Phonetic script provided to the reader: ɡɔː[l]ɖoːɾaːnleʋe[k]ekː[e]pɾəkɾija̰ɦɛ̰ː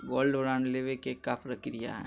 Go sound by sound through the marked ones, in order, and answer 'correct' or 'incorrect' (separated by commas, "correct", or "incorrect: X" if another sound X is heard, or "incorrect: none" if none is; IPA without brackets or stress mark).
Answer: correct, correct, incorrect: a